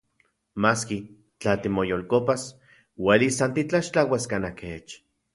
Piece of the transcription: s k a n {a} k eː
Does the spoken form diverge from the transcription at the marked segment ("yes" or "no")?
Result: no